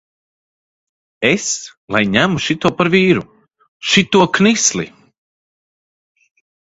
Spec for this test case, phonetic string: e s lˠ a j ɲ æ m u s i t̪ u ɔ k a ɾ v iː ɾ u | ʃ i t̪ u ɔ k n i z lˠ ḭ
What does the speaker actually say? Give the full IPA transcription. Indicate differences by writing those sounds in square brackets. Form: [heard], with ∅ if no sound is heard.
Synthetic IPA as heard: e s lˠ a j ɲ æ m u [ʃ] i t̪ u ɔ [p] a ɾ v iː ɾ u | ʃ i t̪ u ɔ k n i [s] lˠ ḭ